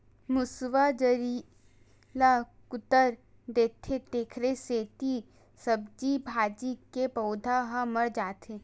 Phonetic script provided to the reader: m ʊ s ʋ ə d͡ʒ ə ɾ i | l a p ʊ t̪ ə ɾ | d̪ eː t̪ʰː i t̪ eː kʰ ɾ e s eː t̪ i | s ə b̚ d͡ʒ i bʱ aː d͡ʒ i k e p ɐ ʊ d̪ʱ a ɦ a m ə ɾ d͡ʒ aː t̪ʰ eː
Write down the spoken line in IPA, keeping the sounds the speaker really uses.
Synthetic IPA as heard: m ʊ s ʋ a d͡ʒ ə ɾ i | l a k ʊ t̪ ə ɾ | d̪ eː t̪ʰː e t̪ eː kʰ ɾ e s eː t̪ i | s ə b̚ d͡ʒ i bʱ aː d͡ʒ i k e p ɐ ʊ d̪ʱ a ɦ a m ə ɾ d͡ʒ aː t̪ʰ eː